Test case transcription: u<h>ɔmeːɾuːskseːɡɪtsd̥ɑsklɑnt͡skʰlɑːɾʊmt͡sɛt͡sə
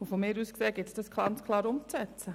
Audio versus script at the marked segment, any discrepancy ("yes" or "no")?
yes